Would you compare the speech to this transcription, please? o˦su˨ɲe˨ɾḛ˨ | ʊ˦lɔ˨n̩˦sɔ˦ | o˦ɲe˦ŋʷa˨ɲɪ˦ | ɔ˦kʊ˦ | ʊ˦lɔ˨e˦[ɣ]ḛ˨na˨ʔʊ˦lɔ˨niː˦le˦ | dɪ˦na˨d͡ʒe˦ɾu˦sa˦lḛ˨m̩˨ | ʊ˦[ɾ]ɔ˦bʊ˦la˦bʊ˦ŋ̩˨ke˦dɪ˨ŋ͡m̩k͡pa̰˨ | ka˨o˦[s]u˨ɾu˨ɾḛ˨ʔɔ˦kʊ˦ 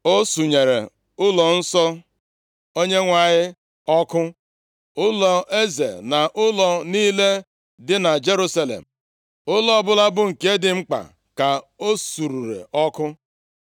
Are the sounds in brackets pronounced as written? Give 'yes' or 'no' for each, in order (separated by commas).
no, no, yes